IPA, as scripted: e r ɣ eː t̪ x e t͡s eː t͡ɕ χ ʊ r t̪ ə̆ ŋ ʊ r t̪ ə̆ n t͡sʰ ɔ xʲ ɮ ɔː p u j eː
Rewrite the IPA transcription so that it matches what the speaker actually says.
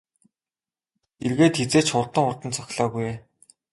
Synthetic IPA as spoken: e r ɣ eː t̪ x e t͡s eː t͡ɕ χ ʊ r t̪ ə̆ ŋ ʊ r t̪ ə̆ n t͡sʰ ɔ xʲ ɮ ɔː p u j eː